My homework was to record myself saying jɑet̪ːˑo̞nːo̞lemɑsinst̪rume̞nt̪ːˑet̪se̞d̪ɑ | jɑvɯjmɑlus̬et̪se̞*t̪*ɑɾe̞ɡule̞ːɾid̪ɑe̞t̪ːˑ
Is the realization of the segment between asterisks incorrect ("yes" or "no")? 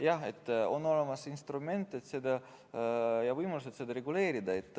yes